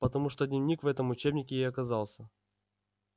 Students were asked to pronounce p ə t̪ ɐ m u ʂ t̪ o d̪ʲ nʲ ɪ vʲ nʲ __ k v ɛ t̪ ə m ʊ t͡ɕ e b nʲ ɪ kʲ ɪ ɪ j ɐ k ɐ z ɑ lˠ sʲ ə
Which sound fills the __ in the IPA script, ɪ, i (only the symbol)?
i